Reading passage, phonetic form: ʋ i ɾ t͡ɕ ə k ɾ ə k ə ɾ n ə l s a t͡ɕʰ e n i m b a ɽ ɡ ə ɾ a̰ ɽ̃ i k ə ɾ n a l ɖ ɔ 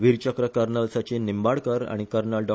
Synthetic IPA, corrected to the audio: ʋ i ɾ t͡ɕ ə k ɾ ə k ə ɾ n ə l s a t͡ɕ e n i m b a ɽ k ə ɾ a̰ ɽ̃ i k ə ɾ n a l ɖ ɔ